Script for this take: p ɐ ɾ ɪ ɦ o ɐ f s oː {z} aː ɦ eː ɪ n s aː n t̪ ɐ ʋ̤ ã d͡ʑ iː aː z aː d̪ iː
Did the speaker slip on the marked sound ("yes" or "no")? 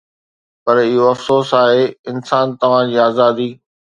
yes